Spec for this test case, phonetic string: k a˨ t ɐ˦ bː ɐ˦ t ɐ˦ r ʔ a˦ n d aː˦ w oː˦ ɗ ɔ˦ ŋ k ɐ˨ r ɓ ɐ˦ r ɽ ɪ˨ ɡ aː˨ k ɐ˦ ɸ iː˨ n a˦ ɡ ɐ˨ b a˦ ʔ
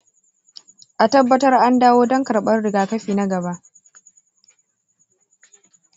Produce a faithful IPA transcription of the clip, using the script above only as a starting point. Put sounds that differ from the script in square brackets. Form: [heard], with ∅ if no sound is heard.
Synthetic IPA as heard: [ʔ] a˨ t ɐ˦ bː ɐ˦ t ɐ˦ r ʔ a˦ n d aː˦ w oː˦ [d] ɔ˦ ŋ k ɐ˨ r ɓ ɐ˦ r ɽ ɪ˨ ɡ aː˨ k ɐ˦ ɸ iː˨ n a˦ ɡ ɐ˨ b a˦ ʔ